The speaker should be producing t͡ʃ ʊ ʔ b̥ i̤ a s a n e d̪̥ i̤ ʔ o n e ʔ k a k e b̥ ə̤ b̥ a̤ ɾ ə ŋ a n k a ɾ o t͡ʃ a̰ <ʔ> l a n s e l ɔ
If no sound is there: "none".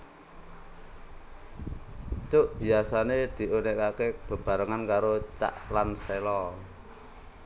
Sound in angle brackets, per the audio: ʔ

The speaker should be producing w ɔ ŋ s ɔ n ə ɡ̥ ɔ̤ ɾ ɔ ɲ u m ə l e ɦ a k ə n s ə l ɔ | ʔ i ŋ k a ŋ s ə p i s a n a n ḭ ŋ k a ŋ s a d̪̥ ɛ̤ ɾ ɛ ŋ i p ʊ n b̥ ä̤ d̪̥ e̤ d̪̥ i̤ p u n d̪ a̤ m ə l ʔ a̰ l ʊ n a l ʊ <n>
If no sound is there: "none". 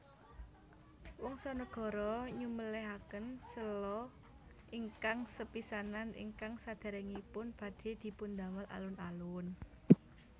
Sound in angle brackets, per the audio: n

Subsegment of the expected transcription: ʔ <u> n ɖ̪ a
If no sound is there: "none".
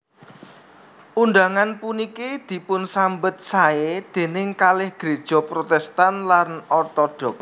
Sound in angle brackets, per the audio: u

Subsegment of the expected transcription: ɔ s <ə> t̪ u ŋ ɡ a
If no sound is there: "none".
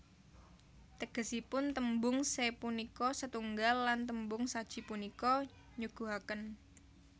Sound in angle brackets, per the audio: ə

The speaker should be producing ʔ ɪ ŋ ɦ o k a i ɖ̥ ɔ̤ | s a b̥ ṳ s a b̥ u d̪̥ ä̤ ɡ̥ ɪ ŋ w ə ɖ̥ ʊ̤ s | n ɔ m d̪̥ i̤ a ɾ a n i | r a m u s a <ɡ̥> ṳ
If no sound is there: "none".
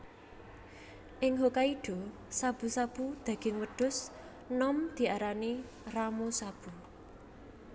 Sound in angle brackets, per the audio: b̥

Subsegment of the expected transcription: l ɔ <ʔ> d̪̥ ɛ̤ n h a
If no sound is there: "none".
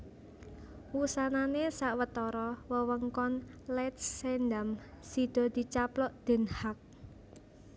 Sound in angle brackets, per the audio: ʔ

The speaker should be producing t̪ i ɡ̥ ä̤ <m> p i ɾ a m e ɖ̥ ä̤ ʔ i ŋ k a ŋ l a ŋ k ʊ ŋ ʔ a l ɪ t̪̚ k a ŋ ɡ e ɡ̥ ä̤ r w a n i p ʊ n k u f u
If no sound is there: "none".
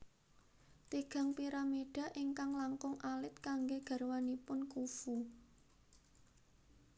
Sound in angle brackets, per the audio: ŋ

